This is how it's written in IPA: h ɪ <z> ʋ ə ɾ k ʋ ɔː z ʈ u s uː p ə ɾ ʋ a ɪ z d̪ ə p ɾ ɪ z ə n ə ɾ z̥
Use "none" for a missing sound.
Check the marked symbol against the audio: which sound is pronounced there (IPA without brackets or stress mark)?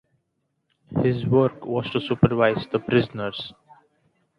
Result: z